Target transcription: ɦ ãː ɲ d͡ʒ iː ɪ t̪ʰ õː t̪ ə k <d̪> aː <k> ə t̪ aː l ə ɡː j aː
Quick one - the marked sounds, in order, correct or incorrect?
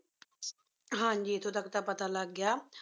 incorrect, incorrect

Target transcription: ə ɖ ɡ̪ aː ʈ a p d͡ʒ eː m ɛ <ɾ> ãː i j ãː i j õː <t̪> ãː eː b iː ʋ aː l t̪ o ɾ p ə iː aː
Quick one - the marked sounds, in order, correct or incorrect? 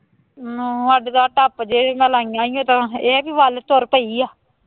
incorrect, correct

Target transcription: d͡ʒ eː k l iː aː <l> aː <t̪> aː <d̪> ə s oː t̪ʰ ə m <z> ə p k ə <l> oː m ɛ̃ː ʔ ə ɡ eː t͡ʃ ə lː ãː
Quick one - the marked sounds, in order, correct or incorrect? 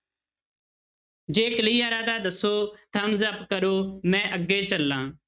incorrect, incorrect, correct, correct, incorrect

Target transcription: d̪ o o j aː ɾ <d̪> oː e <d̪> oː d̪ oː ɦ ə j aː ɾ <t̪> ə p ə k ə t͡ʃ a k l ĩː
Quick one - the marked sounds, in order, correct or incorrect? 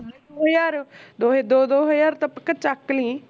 correct, correct, correct

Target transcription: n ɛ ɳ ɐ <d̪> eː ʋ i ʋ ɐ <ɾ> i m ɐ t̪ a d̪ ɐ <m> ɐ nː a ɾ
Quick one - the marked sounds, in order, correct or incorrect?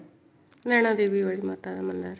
correct, incorrect, correct

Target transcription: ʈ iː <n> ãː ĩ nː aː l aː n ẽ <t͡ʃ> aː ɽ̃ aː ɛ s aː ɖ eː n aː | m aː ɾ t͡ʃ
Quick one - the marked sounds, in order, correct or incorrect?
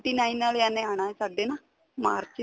correct, incorrect

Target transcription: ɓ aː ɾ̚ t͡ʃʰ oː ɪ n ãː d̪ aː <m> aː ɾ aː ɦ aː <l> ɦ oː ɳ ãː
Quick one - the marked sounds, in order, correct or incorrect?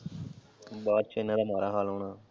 correct, correct

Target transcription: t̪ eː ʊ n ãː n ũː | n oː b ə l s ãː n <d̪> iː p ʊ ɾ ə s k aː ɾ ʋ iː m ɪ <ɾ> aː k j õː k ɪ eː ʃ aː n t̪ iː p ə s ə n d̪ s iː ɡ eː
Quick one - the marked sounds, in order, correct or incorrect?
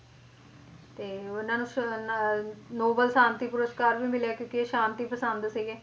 incorrect, incorrect

